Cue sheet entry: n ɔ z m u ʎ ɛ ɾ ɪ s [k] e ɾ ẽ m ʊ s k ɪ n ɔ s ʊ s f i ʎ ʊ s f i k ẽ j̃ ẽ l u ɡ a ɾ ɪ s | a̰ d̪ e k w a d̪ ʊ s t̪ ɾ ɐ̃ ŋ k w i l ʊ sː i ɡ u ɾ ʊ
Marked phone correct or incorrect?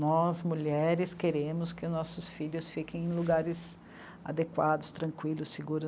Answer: correct